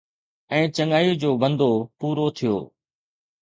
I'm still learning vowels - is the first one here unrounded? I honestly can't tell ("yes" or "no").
yes